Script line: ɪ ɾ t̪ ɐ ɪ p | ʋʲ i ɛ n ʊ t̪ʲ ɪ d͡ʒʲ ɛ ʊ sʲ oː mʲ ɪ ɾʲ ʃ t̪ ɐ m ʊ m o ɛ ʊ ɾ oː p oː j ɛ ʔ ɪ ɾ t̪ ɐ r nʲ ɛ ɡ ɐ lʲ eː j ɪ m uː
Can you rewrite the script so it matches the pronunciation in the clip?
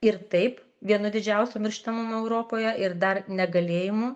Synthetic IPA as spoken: ɪ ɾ t̪ ɐ ɪ p | ʋʲ i ɛ n ʊ d̪ʲ ɪ d͡ʒʲ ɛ ʊ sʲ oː mʲ ɪ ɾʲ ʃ t̪ ɐ m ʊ m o ɛ ʊ ɾ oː p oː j ɛ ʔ ɪ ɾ d̪ ɐ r nʲ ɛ ɡ ɐ lʲ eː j ɪ m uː